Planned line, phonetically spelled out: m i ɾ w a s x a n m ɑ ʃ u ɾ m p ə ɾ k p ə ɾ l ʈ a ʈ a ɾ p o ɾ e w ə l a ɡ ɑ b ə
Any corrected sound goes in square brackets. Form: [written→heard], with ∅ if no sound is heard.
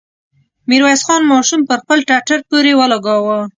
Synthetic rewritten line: m i ɾ w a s x [a→ɑ] n m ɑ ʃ u [ɾ→∅] m p ə ɾ [k→x] p ə [ɾ→∅] l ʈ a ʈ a ɾ p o ɾ e w ə l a ɡ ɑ [b→w] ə

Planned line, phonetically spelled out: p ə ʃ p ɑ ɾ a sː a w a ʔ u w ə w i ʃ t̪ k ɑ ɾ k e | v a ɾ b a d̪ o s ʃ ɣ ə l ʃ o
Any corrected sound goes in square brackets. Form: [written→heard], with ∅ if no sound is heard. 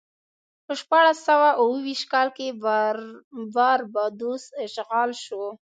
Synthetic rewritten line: p ə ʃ p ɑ [ɾ→ɽ] a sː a w a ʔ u w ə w i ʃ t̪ k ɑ [ɾ→l] k e | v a ɾ b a d̪ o s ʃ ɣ [ə→ɑ] l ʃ o

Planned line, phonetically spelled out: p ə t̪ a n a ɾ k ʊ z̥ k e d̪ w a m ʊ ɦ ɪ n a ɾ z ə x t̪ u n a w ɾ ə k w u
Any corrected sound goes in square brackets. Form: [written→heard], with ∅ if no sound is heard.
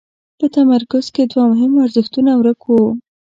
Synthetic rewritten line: p ə t̪ a [n→m] a ɾ k ʊ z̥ k e d̪ w a m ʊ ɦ ɪ [n→m] a ɾ z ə x t̪ u n a w ɾ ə k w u

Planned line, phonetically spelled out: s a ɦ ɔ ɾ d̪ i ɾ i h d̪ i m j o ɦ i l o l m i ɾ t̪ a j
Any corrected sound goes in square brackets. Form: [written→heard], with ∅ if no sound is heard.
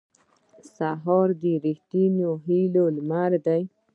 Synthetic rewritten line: s a ɦ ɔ ɾ d̪ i ɾ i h [d̪→t̪] i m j o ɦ i l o l m [i→a] ɾ [t̪→d̪] a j

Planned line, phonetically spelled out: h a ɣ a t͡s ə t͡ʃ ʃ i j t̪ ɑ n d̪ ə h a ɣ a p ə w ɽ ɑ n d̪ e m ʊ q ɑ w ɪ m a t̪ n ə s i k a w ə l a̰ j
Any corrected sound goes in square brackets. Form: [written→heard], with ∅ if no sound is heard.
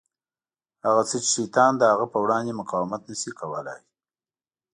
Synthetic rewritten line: h a ɣ a t͡s ə t͡ʃ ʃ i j t̪ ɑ n d̪ ə h a ɣ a p ə w ɽ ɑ n d̪ e m ʊ q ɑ w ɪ m a t̪ n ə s i k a w ə l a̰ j

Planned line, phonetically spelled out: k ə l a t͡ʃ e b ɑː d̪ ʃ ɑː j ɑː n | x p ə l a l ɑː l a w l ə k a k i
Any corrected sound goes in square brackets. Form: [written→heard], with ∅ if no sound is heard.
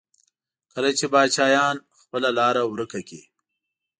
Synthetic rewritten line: k ə l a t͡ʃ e b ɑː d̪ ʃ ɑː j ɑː n | x p ə l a l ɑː [l→ɾ] a w [l→ɾ] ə k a k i

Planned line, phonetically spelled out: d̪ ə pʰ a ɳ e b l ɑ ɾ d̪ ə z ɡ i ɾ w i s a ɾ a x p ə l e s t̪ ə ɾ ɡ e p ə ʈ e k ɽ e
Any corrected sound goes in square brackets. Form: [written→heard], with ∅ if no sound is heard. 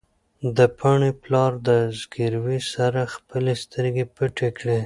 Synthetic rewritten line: d̪ ə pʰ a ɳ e [b→p] l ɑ ɾ d̪ ə z ɡ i ɾ w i s a ɾ a x p ə l e s t̪ ə ɾ ɡ e p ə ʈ e k ɽ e

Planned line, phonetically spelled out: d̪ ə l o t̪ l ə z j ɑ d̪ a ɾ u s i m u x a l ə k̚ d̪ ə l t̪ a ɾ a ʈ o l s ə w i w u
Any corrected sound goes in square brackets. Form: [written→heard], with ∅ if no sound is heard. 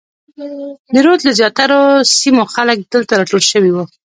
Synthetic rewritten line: d̪ ə [l→ɾ] o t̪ l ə z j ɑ [d̪→t̪] a ɾ [u→o] s i m [u→o] x a l ə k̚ d̪ ə l t̪ a ɾ [a→ɑ] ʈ o l [s→ʃ] ə w i w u

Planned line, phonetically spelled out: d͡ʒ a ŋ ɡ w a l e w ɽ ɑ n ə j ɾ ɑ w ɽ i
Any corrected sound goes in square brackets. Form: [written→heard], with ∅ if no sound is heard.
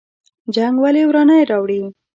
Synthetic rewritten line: d͡ʒ a ŋ ɡ w a l e w [ɽ→ɾ] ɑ n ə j ɾ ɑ w ɽ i

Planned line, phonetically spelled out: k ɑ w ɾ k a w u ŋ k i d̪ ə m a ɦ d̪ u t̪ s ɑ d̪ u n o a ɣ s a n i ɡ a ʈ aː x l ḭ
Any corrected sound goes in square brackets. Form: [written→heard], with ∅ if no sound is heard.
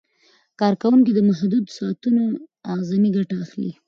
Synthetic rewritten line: k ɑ [w→∅] ɾ k a w u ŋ k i d̪ ə m a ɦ d̪ u [t̪→d̪] s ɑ [d̪→t̪] u n o a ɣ [s→z] a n i ɡ a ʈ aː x l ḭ

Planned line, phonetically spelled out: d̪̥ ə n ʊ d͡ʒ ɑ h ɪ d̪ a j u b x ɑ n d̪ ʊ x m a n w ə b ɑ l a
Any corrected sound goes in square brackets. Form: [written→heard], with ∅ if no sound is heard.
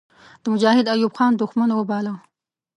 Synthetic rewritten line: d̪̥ ə [n→m] ʊ d͡ʒ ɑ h ɪ d̪ a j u b x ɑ n d̪ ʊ x m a n w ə b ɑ l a

